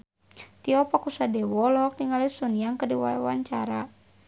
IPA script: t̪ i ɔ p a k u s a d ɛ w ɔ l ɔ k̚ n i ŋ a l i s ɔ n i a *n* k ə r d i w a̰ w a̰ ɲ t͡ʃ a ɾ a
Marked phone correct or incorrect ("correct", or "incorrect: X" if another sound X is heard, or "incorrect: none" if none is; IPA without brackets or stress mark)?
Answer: incorrect: ŋ